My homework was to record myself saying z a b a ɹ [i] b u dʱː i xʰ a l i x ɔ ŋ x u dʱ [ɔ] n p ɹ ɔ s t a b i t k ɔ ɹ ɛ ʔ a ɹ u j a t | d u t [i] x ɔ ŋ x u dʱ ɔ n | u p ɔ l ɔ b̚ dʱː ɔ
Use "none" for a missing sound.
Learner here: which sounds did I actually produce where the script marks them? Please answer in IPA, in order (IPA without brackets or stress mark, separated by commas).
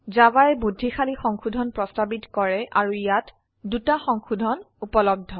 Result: ɛ, ɔ, a